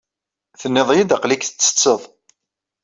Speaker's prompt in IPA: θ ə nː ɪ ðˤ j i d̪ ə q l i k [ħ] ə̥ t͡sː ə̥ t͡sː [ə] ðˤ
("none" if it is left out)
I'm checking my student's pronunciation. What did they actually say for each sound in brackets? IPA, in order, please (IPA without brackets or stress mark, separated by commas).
θ, ə